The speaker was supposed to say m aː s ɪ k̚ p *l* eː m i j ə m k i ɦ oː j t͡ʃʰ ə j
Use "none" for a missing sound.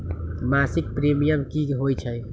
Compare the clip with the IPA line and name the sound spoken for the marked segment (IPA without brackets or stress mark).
ɾ